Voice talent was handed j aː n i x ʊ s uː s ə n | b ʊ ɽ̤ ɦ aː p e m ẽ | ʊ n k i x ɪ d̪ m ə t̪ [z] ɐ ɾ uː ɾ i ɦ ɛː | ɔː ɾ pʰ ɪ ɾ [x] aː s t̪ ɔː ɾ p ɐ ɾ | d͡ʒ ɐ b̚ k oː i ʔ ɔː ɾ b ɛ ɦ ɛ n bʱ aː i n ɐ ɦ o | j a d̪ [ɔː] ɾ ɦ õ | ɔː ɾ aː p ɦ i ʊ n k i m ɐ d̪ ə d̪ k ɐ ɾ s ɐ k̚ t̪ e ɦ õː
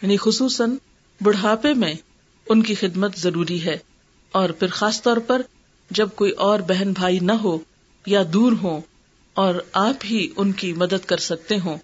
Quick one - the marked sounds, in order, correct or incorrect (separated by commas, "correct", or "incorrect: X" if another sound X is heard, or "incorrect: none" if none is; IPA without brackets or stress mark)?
correct, correct, incorrect: uː